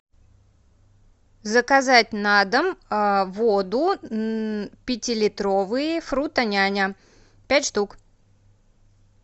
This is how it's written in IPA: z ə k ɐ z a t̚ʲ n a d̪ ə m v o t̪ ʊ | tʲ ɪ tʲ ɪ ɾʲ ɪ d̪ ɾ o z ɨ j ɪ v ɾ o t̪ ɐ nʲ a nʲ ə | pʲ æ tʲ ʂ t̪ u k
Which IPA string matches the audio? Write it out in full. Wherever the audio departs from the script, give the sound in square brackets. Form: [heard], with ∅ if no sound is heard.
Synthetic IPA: z ə k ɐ z a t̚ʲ n a d̪ ə m v o [d̪] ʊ | [pʲ] ɪ tʲ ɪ [lʲ] ɪ [t̪] ɾ o [v] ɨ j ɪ [f] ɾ [u] t̪ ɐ nʲ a nʲ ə | pʲ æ tʲ ʂ t̪ u k